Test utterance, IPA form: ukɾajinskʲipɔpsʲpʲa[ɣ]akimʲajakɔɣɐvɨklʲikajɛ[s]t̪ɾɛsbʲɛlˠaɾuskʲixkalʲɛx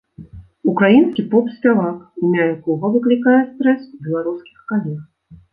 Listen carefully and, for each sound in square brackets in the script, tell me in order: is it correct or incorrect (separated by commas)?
incorrect, correct